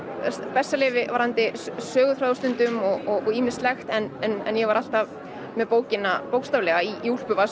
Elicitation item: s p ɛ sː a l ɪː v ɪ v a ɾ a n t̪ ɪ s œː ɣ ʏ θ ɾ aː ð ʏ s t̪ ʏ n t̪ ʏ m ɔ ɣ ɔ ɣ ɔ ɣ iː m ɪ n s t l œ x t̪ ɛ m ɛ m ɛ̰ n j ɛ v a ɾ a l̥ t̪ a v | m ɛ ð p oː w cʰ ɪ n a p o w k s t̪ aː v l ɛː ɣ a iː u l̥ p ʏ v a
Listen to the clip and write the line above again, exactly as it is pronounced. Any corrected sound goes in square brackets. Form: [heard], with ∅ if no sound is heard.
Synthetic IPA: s p ɛ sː a l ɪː v ɪ v a ɾ a n t̪ ɪ s œː ɣ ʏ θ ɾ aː ð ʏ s t̪ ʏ n t̪ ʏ m ɔ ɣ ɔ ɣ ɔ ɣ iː m ɪ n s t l [ɛ] x t̪ ɛ [n] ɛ [n] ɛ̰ n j ɛ v a ɾ a l̥ t̪ a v | m ɛ ð p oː w [c] ɪ n a p o w k s t̪ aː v l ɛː ɣ a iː u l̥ p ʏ v a